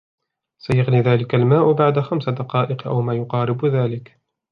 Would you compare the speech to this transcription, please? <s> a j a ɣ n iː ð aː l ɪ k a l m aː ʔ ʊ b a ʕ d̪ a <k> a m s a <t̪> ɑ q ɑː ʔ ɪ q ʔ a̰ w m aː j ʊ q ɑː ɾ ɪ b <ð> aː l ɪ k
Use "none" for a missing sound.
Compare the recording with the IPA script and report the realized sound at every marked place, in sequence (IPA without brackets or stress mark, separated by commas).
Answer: s, x, d̪, ð